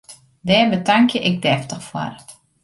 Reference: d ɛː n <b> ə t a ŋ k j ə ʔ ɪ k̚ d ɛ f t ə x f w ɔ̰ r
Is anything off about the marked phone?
no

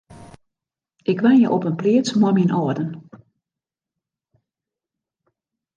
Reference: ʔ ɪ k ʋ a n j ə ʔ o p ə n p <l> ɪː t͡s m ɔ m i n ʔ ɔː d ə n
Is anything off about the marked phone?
no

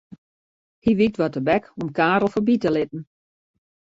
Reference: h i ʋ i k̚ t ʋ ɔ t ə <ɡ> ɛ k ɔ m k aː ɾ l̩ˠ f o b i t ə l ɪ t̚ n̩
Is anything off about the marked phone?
yes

